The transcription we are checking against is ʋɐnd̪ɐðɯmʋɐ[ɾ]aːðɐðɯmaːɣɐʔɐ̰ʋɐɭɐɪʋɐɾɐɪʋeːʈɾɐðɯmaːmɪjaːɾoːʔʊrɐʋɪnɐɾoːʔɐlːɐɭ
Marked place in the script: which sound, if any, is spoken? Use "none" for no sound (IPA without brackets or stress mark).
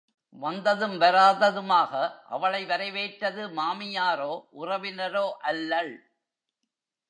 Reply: ɾ